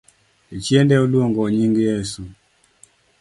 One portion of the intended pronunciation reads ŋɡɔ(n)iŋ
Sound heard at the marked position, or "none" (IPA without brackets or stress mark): ɲ